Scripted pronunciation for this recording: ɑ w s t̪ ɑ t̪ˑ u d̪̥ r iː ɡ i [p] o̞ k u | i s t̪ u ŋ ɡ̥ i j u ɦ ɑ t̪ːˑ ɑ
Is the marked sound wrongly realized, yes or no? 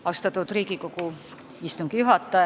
yes